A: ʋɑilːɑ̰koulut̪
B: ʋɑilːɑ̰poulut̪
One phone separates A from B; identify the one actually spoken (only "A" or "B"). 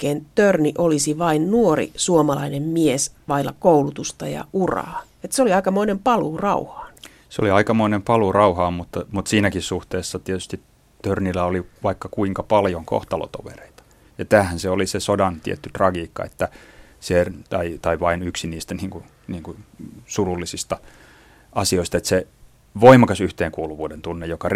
A